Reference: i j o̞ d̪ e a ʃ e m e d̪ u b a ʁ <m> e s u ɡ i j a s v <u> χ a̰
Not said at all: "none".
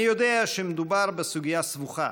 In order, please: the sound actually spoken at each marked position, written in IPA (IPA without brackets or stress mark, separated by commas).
b, u